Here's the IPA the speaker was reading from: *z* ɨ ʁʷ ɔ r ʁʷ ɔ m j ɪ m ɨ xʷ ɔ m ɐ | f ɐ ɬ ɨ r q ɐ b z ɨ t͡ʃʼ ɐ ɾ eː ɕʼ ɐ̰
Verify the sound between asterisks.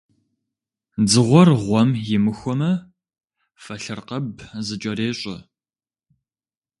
incorrect: d͡z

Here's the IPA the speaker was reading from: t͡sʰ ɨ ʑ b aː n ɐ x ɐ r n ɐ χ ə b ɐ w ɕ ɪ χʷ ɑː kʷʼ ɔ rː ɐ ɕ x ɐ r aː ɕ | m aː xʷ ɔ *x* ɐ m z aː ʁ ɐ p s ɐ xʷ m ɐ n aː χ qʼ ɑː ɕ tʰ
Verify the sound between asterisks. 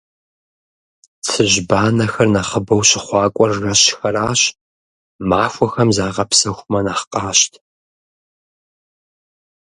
correct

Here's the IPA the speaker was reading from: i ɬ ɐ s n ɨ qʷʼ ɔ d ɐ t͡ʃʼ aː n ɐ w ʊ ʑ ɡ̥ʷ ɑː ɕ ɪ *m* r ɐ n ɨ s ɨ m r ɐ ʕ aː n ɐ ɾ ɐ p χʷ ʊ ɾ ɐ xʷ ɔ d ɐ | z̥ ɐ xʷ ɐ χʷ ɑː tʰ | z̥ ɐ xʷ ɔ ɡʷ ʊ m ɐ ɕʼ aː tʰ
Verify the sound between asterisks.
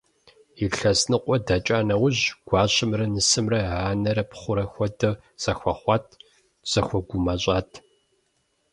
correct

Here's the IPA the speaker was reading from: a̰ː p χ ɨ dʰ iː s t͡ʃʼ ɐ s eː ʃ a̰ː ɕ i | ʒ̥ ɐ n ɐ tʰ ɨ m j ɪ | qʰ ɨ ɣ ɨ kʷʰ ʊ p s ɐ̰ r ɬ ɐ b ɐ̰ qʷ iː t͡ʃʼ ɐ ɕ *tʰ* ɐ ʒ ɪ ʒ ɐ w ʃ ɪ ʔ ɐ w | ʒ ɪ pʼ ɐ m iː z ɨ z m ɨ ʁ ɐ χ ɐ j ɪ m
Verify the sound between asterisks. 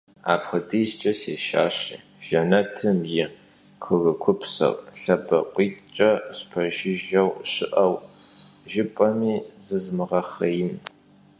incorrect: pʰ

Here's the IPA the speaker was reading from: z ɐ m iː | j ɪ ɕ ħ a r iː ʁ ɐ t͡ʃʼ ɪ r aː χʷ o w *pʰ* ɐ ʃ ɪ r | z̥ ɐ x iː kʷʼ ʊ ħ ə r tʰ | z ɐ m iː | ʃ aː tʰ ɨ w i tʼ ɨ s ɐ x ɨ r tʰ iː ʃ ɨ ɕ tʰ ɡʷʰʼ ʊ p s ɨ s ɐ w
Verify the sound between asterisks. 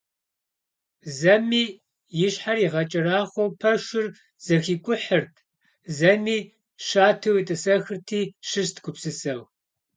correct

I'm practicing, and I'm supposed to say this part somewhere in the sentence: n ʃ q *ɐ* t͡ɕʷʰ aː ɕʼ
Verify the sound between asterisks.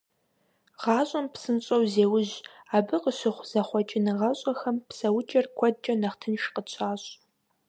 incorrect: ə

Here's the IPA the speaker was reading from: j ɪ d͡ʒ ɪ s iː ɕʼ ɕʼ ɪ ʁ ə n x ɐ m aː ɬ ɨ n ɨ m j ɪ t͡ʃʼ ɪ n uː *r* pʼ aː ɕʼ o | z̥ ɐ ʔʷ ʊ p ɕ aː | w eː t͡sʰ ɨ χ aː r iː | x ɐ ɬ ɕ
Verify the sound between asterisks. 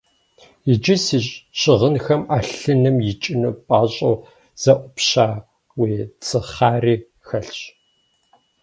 incorrect: none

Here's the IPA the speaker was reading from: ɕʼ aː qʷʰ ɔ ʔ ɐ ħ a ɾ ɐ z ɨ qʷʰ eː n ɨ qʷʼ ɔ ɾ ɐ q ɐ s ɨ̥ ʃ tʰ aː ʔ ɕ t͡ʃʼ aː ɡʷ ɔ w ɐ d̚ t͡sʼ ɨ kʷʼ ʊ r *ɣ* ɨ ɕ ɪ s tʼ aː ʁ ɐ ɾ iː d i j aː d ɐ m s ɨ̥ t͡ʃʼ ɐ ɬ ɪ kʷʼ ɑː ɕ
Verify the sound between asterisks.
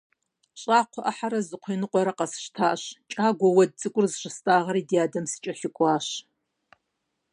incorrect: z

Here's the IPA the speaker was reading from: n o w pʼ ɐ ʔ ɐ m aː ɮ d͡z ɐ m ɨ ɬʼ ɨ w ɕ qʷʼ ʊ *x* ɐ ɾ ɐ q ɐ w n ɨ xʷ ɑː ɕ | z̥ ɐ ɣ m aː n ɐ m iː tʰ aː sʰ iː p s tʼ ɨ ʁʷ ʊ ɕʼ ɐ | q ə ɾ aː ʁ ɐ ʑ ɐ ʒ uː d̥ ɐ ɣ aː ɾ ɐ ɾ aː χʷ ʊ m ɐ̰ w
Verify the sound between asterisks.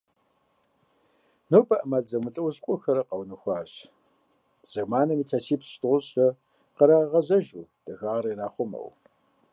correct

